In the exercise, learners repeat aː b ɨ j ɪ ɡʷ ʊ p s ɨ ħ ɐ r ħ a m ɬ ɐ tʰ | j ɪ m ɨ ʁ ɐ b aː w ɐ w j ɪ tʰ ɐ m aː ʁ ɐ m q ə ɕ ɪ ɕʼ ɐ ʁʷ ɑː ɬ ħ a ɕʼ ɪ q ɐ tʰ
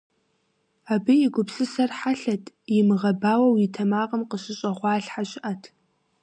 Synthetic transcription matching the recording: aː b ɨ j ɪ ɡʷ ʊ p s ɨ s ɐ r ħ a ɬ ɐ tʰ | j ɪ m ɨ ʁ ɐ b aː w ɐ w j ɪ tʰ ɐ m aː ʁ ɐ m q ə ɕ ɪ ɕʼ ɐ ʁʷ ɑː ɬ ħ a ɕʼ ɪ ʔ ɐ tʰ